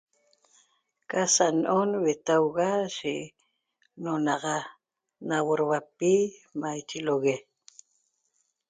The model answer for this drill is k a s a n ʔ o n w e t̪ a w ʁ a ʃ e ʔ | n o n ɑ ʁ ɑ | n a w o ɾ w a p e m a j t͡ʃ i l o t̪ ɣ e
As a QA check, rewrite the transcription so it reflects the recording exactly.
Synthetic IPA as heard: k a s a n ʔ o n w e t̪ a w ɣ a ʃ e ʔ | n o n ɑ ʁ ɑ | n a w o ɾ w a p i m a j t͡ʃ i l o ɣ e